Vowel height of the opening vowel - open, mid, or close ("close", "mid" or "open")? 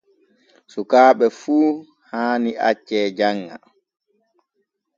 close